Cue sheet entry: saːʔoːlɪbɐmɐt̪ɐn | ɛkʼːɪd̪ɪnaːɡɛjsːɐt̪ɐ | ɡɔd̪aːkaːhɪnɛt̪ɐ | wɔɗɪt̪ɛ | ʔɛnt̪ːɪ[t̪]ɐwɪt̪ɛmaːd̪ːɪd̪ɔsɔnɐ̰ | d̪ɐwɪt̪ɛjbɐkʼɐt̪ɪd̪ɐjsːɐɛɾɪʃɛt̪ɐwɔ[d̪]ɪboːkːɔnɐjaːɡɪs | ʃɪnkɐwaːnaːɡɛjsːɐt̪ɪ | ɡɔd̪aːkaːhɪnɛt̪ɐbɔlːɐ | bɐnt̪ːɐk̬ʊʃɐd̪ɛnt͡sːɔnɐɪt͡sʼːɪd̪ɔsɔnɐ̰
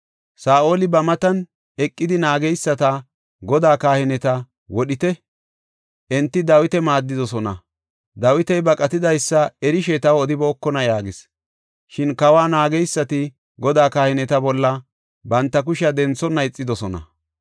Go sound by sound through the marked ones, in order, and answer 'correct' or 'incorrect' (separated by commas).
incorrect, correct